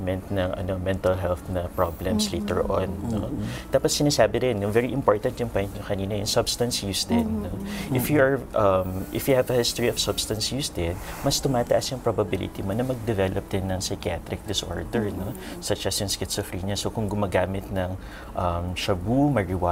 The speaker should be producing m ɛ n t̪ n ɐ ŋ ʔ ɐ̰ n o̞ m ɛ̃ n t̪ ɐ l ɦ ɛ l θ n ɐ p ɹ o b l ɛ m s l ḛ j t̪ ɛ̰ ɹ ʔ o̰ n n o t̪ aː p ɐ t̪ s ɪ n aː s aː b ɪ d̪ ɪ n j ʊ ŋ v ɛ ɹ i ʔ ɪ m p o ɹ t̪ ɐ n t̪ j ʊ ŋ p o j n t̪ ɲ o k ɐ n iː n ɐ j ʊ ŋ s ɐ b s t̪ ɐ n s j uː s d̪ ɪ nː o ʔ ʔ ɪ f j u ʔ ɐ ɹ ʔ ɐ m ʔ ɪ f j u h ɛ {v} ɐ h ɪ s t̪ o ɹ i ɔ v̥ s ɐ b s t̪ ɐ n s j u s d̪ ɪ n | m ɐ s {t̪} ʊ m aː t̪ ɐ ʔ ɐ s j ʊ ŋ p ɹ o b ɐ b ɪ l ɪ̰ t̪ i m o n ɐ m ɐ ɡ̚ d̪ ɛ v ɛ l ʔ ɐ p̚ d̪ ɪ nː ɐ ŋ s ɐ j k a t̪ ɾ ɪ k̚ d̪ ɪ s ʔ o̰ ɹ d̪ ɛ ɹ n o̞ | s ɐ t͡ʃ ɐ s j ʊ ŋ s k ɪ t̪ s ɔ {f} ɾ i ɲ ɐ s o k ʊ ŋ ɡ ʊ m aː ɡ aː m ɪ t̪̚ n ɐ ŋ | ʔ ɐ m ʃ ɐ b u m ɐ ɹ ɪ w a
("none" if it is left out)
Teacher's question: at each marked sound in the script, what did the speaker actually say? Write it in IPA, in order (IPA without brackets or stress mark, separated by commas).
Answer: v, t̪, f